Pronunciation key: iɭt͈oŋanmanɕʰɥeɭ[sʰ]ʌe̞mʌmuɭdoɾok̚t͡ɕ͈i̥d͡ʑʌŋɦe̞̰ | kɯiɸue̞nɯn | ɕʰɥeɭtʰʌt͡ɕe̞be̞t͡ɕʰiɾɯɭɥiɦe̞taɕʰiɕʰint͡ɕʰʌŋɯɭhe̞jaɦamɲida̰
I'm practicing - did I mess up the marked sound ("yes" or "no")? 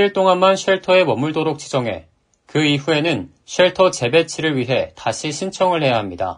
yes